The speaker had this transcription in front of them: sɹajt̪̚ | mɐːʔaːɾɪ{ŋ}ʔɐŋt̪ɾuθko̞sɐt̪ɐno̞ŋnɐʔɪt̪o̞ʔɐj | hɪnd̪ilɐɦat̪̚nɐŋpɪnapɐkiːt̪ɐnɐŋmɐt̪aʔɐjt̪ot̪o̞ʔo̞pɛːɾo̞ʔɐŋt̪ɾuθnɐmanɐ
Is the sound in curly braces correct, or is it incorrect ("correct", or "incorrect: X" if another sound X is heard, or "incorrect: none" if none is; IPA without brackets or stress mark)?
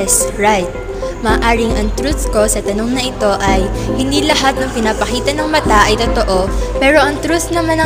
correct